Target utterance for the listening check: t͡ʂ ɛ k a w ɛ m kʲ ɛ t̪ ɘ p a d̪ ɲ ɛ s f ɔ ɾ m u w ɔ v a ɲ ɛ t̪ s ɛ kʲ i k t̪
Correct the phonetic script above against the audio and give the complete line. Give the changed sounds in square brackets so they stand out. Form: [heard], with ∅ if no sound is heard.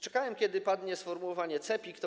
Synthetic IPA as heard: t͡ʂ ɛ k a w ɛ m kʲ ɛ [d̪] ɘ p a d̪ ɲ ɛ s f ɔ ɾ m u w ɔ v a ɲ ɛ t̪ s ɛ [pʲ] i k t̪